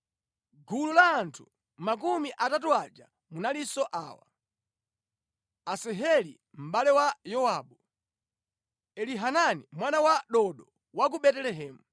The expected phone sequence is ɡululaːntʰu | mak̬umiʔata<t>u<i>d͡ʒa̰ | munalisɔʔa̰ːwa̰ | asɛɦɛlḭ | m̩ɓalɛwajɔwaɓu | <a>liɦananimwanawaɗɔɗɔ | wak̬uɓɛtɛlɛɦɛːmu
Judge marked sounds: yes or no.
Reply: yes, no, no

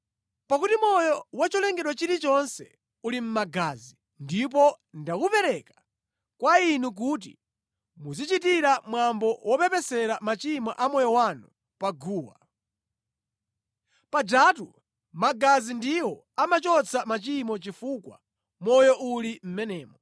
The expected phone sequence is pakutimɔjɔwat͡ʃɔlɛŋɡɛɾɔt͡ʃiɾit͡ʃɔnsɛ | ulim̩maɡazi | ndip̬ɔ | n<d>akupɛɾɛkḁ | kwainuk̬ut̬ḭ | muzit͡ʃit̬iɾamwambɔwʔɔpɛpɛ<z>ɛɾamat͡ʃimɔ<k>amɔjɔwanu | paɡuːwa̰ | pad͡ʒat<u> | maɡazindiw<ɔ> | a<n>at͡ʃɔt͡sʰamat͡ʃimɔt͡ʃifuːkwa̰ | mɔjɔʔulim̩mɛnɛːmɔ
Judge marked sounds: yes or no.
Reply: yes, no, no, yes, yes, no

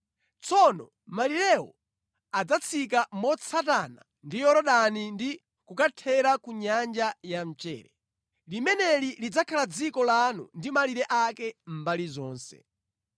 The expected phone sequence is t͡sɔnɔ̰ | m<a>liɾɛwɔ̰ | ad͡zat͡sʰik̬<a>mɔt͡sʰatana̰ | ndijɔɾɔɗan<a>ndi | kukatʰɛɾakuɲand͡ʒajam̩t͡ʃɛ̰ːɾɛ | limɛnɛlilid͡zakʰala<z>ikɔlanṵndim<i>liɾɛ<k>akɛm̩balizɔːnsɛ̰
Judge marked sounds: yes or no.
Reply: yes, yes, no, no, no, no

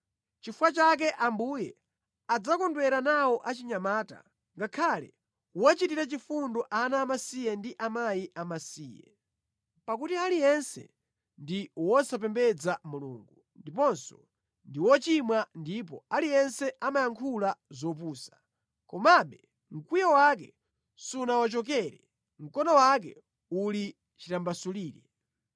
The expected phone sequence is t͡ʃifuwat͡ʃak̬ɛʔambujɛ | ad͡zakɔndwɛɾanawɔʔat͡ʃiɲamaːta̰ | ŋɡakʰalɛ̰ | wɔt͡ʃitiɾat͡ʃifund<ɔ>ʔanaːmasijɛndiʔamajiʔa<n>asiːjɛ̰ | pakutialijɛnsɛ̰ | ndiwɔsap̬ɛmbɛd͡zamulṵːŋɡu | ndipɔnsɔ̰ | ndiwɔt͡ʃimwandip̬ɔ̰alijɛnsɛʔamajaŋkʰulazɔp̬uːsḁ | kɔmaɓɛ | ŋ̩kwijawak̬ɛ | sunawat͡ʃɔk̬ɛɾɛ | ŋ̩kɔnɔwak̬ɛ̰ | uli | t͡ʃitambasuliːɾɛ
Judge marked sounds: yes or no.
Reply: yes, no

